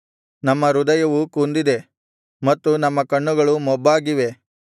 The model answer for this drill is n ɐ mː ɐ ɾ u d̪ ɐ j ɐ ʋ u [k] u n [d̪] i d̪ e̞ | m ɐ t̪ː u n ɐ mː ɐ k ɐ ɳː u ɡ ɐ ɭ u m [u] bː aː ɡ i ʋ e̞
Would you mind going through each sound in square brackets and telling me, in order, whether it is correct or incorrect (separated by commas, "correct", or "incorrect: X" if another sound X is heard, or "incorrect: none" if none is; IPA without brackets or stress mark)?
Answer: correct, correct, incorrect: ɔ